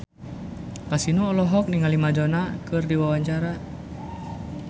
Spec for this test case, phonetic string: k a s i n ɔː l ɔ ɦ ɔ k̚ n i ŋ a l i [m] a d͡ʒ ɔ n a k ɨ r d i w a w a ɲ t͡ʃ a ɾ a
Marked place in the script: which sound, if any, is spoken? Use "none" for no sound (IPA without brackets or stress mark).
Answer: m